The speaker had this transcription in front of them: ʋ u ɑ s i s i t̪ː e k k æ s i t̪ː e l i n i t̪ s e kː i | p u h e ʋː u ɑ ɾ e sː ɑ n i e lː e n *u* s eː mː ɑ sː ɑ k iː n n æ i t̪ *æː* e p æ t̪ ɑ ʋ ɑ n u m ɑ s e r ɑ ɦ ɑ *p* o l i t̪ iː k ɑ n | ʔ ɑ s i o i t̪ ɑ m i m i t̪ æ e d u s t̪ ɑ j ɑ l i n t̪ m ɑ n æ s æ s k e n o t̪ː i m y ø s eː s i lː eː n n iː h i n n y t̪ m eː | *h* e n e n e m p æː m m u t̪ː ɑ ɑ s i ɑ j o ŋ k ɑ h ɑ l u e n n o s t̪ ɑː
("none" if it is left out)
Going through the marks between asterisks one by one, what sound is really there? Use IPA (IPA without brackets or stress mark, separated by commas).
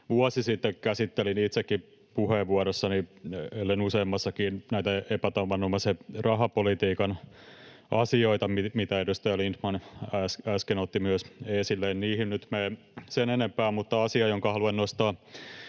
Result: u, æ, p, s